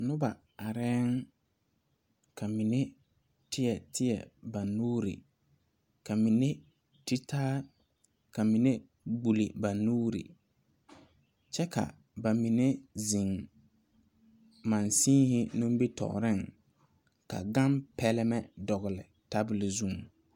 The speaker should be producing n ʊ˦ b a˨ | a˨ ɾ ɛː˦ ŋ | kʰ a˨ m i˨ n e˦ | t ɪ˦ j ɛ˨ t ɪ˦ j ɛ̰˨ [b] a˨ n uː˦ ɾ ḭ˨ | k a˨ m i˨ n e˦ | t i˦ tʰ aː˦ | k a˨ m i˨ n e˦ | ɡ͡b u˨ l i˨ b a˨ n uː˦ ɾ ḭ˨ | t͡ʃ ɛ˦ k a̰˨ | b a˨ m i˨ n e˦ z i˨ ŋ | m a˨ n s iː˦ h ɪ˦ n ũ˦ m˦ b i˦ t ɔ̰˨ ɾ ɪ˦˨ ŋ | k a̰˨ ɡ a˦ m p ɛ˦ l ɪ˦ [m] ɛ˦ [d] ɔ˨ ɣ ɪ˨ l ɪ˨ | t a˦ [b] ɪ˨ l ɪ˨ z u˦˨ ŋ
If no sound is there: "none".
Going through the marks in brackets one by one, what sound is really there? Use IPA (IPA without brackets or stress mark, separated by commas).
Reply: b, m, d, b